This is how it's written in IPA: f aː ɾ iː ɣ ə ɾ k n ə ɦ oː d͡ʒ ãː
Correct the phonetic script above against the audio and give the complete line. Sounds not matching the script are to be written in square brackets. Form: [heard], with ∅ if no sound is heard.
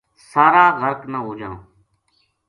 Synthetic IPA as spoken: [s] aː ɾ [aː] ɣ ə ɾ k n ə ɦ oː d͡ʒ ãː